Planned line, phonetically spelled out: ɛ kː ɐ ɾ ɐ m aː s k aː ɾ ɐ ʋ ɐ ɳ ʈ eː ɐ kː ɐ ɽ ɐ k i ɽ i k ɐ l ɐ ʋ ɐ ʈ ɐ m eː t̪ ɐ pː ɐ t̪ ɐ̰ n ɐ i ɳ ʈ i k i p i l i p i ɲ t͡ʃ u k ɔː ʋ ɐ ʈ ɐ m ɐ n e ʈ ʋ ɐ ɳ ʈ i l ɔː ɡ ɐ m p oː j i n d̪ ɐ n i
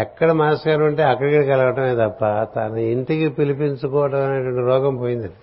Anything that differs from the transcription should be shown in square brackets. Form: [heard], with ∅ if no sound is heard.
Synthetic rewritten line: ɛ kː ɐ [ɽ] ɐ m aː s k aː ɾ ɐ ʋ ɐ ɳ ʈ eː ɐ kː ɐ ɽ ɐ k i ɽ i k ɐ l ɐ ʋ ɐ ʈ ɐ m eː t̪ ɐ pː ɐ t̪ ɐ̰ n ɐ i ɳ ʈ i k i p i l i p i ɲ t͡ʃ u k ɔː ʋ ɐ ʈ ɐ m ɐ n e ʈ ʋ ɐ ɳ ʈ i [ɾ] ɔː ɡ ɐ m p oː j i n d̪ ɐ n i